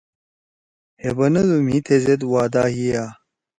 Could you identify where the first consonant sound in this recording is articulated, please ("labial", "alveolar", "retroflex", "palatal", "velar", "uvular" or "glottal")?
glottal